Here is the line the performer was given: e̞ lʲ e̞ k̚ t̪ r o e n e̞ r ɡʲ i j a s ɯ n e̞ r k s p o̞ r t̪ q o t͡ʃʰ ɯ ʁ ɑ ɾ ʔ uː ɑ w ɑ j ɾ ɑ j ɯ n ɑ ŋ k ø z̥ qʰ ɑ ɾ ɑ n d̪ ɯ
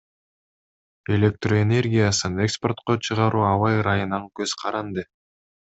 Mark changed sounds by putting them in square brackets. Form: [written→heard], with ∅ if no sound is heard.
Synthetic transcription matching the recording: e̞ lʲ e̞ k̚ t̪ r o e n e̞ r ɡʲ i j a s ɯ n e̞ [r→∅] k s p o̞ r t̪ q o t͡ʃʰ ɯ ʁ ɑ ɾ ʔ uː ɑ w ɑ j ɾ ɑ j ɯ n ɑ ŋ k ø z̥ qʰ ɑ ɾ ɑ n d̪ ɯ